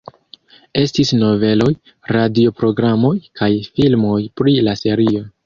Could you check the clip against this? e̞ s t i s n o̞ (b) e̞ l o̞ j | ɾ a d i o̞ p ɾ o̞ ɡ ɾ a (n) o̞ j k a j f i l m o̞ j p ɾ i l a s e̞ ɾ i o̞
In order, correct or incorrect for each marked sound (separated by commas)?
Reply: incorrect, incorrect